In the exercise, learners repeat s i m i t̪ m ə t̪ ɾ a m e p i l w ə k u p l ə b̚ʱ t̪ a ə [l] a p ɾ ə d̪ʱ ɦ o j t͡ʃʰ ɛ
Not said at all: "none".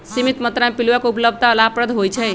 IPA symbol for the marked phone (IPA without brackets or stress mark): l